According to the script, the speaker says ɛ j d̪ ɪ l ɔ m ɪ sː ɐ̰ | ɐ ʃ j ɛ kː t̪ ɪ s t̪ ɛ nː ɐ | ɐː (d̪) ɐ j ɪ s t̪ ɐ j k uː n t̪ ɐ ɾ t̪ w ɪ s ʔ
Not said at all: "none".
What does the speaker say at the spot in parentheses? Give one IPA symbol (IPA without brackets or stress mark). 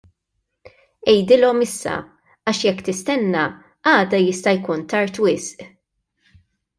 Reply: d̪